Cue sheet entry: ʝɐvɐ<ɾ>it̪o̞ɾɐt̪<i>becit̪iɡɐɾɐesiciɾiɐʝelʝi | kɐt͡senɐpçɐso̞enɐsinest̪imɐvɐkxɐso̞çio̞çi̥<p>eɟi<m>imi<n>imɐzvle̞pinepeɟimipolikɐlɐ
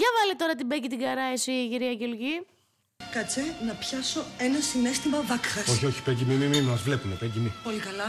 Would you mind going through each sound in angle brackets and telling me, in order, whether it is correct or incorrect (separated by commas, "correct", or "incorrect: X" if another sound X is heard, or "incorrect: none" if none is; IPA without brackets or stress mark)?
incorrect: l, correct, correct, correct, incorrect: m